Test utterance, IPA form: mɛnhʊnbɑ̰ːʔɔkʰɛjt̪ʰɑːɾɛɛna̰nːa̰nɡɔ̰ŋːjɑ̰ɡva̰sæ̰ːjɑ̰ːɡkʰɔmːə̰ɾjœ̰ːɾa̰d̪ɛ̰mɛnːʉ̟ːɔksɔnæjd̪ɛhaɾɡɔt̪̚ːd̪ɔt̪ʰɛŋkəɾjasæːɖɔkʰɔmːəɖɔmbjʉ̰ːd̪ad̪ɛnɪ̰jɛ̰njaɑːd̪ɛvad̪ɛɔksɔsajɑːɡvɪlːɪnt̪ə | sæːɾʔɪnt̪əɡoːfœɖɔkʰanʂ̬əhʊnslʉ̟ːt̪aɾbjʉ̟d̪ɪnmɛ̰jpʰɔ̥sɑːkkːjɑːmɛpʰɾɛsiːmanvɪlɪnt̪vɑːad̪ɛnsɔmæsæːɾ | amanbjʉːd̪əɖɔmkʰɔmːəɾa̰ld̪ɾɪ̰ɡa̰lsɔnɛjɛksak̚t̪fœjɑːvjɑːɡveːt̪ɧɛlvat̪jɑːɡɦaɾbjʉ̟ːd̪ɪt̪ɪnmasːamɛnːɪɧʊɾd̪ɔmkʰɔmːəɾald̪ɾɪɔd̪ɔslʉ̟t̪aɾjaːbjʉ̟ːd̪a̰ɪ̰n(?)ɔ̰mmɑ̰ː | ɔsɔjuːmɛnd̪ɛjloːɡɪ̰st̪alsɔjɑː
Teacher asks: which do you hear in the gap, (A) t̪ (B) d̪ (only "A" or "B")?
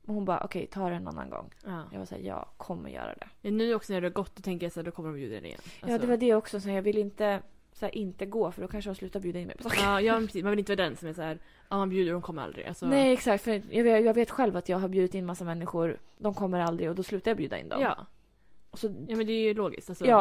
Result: B